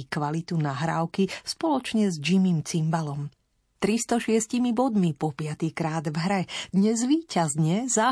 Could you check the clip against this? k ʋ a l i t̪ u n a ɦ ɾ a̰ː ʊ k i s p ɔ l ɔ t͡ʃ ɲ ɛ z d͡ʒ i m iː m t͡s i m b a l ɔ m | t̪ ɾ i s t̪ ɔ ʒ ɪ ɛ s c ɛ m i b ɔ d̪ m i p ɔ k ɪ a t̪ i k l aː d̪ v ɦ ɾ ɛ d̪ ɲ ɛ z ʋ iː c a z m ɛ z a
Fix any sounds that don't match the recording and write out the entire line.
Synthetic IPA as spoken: k ʋ a l i t̪ u n a ɦ ɾ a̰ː ʊ k i s p ɔ l ɔ t͡ʃ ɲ ɛ z d͡ʒ i m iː m t͡s i m b a l ɔ m | t̪ ɾ i s t̪ ɔ ʃ ɪ ɛ s c i m i b ɔ d̪ m i p ɔ p ɪ a t̪ i k ɾ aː d̪ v ɦ ɾ ɛ d̪ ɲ ɛ z ʋ iː c a z ɲ ɛ z a